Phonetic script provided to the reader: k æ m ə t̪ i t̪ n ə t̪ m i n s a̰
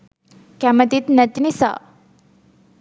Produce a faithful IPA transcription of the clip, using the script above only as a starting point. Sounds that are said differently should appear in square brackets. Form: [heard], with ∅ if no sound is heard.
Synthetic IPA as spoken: k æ m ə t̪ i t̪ n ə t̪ [n] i [∅] s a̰